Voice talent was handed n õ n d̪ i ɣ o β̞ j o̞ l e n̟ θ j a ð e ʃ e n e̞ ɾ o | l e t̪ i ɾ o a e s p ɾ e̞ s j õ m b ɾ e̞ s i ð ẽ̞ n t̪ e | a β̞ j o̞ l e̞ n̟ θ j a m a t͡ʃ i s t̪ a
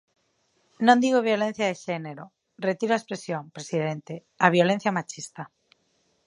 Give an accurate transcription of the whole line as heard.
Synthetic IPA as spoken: n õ n d̪ i ɣ o β̞ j o̞ l e n̟ θ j a ð e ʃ e n e̞ ɾ o | r e t̪ i ɾ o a e s p ɾ e̞ s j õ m p ɾ e̞ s i ð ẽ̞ n t̪ e | a β̞ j o̞ l e̞ n̟ θ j a m a t͡ʃ i s t̪ a